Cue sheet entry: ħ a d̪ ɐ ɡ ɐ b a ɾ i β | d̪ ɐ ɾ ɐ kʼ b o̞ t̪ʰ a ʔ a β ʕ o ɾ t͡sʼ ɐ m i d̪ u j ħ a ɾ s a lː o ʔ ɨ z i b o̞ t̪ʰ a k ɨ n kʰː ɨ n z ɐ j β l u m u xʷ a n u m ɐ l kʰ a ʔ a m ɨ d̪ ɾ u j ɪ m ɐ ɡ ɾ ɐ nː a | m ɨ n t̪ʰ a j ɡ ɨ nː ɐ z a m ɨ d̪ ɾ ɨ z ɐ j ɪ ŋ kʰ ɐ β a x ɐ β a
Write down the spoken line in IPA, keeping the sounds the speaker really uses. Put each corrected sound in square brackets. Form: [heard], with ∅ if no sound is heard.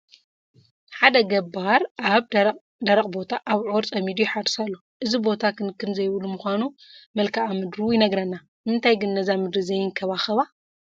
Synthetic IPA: ħ a d̪ ɐ ɡ ɐ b a ɾ [a] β | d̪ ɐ ɾ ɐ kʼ b o̞ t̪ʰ a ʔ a β ʕ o ɾ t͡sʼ ɐ m i d̪ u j ħ a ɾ s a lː o ʔ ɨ z i b o̞ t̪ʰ a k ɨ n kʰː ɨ n z ɐ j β l u m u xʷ a n u m ɐ l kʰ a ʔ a m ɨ d̪ ɾ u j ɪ [n] ɐ ɡ ɾ ɐ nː a | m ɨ n t̪ʰ a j ɡ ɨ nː ɐ z a m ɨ d̪ ɾ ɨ z ɐ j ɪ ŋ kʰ ɐ β a x ɐ β a